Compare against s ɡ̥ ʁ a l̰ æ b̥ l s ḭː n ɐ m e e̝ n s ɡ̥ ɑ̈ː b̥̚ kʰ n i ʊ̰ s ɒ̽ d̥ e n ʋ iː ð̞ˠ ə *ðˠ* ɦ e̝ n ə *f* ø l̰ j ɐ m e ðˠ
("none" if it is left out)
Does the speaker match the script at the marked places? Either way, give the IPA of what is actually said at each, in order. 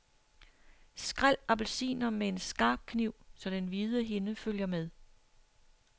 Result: none, f

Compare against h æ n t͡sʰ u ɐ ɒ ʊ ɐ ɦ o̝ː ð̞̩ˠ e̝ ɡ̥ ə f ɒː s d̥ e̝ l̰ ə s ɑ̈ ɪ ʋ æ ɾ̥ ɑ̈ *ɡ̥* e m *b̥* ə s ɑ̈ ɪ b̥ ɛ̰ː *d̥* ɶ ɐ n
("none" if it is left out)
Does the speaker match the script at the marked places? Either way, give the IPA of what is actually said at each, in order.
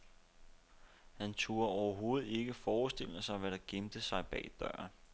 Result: ɡ̥, d̥, d̥

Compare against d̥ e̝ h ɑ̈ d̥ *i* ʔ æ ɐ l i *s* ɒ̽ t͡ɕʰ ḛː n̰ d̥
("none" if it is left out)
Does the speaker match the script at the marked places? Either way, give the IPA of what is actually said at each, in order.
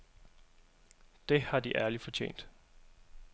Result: i, f

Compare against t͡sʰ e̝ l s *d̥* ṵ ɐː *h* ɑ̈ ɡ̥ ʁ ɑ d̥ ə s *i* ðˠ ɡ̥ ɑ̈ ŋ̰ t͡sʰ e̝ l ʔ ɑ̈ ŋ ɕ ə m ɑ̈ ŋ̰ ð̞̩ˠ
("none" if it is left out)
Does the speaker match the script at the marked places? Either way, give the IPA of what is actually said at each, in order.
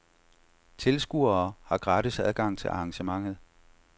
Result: ɡ̥, h, æ

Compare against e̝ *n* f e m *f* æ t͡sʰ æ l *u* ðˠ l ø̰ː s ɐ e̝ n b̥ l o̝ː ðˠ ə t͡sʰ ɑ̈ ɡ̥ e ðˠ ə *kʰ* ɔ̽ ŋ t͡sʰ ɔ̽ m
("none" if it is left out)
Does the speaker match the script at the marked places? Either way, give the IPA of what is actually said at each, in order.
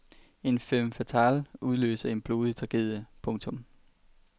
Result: n, f, u, pʰ

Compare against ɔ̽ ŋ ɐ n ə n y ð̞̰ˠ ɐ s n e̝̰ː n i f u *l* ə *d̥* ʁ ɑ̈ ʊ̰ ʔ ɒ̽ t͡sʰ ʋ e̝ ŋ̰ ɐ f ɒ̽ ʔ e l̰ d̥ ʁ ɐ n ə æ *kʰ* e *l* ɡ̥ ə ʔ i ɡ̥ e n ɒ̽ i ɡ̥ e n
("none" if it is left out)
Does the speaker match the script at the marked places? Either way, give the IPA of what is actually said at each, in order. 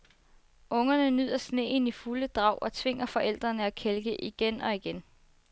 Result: l, d̥, kʰ, l

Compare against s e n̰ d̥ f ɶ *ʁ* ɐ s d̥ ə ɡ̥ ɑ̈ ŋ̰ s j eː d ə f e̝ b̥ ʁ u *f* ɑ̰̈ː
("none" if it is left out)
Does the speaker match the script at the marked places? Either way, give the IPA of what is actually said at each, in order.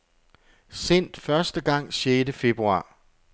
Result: none, none

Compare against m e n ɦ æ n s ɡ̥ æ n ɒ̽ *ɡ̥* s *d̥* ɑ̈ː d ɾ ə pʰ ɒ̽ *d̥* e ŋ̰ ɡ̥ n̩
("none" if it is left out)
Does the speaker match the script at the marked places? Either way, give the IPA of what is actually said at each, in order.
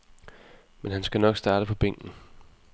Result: ɡ̥, d̥, b̥

